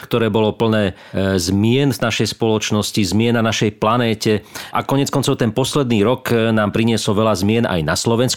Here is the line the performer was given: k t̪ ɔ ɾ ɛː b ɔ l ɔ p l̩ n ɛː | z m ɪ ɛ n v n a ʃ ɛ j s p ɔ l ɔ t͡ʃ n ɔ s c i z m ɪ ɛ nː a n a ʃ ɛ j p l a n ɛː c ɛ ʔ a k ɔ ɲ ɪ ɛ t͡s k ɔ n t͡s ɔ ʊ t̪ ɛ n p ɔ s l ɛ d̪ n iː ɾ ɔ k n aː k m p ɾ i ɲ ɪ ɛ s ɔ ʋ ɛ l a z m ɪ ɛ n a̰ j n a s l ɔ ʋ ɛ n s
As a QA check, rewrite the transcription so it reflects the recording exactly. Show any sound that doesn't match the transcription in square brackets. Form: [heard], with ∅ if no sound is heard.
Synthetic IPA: k t̪ ɔ ɾ ɛː b ɔ l ɔ p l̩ n ɛː | z m ɪ ɛ n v n a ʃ ɛ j s p ɔ l ɔ t͡ʃ n ɔ s c i z m ɪ ɛ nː a n a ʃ ɛ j p l a n ɛː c ɛ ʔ a k ɔ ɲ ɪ ɛ t͡s k ɔ n t͡s ɔ ʊ t̪ ɛ n p ɔ s l ɛ d̪ n iː ɾ ɔ k n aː [∅] m p ɾ i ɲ ɪ ɛ s ɔ ʋ ɛ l a z m ɪ ɛ n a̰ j n a s l ɔ ʋ ɛ n s